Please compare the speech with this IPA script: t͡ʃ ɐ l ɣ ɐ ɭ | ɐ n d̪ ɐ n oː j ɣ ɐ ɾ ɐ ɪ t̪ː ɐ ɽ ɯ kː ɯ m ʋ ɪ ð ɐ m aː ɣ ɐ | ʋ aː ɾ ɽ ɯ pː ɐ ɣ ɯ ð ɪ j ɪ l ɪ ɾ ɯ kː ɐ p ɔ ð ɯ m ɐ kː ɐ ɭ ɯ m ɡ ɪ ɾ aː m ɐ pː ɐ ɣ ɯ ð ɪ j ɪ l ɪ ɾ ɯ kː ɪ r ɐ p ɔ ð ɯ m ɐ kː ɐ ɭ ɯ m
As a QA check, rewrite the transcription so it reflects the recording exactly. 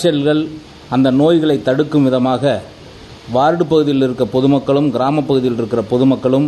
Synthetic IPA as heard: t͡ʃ ɐ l ɣ ɐ ɭ | ɐ n d̪ ɐ n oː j ɣ ɐ ɭ ɐ ɪ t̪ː ɐ ɽ ɯ kː ɯ m ʋ ɪ ð ɐ m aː ɣ ɐ | ʋ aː ɾ ɽ ɯ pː ɐ ɣ ɯ ð ɪ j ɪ l ɪ ɾ ɯ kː ɐ p ɔ ð ɯ m ɐ kː ɐ ɭ ɯ m ɡ ɪ ɾ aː m ɐ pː ɐ ɣ ɯ ð ɪ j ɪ l ɪ ɾ ɯ kː ɪ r ɐ p ɔ ð ɯ m ɐ kː ɐ ɭ ɯ m